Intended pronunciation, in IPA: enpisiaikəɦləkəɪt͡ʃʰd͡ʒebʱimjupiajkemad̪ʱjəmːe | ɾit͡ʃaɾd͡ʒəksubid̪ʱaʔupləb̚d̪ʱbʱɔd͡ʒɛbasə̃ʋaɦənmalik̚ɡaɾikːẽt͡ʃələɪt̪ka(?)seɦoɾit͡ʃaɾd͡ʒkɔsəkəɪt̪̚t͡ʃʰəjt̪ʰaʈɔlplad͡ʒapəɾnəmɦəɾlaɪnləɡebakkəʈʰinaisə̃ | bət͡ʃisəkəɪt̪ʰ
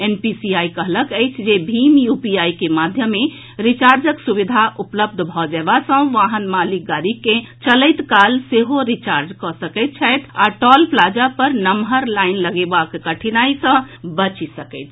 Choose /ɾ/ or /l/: l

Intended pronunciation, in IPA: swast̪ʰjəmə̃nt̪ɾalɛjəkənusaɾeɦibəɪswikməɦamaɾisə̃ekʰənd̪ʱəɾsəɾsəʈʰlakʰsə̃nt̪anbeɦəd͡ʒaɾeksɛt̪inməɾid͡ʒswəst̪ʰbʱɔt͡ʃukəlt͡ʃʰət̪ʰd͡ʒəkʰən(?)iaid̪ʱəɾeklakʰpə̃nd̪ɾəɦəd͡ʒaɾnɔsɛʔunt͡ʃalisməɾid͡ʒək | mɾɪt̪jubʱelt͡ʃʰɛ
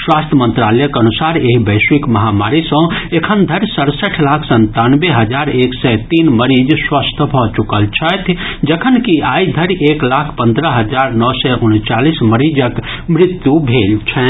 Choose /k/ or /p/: k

